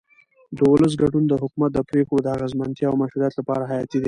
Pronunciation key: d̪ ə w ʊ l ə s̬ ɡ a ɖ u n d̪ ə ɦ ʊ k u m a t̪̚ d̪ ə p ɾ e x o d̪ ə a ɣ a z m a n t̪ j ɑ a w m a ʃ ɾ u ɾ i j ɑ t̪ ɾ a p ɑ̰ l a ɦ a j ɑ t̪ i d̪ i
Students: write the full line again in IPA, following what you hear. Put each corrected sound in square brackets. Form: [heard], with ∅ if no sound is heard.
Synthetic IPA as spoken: d̪ ə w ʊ l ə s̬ ɡ a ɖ u n d̪ ə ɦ ʊ k u m a t̪̚ d̪ ə p ɾ e x o d̪ ə a ɣ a z m a n t̪ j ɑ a w m a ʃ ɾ u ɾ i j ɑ t̪ [l] a p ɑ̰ [ɾ] a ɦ a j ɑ t̪ i d̪ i